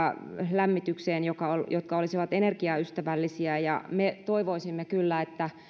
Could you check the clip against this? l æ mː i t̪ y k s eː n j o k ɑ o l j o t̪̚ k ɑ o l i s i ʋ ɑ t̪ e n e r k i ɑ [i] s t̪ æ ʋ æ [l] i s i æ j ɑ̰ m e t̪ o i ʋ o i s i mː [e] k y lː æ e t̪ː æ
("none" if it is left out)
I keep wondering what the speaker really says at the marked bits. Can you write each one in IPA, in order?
y, lː, e

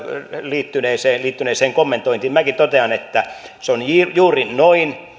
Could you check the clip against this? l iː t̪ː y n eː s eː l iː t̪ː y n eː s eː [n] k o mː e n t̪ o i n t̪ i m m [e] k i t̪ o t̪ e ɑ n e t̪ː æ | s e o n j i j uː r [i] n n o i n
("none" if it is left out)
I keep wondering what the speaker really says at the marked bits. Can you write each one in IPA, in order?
ŋ, æ, i

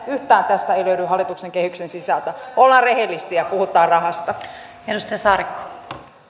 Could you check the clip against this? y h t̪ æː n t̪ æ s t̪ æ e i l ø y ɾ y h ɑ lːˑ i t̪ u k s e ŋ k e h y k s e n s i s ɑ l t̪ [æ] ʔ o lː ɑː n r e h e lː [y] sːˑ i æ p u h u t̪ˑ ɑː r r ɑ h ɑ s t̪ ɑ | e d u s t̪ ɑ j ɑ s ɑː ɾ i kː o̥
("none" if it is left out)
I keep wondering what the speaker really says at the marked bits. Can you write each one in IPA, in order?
æ, i

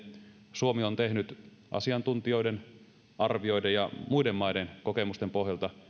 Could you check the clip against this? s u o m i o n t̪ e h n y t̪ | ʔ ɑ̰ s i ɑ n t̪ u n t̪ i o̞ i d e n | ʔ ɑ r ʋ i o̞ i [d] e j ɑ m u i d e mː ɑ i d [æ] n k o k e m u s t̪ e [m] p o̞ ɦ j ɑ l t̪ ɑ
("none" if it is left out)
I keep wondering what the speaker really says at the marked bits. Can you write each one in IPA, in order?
d, e, m

